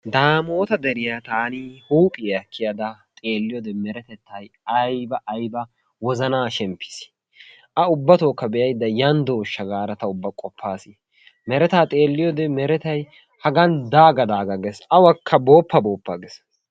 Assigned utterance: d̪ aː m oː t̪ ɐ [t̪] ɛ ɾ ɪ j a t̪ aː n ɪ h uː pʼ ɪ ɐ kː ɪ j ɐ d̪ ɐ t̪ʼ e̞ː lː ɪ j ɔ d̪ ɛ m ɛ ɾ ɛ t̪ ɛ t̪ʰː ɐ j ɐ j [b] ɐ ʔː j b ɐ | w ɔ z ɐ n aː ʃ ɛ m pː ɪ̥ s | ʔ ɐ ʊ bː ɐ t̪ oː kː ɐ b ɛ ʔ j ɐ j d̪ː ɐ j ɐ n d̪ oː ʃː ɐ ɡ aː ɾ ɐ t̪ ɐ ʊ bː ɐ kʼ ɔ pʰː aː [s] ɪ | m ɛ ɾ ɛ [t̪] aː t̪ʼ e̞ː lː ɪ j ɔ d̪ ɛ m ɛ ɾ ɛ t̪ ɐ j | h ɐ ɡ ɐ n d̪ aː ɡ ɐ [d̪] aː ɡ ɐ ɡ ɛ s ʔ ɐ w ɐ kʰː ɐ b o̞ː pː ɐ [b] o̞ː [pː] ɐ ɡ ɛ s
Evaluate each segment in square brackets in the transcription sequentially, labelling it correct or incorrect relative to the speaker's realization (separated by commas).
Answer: incorrect, correct, correct, correct, correct, correct, correct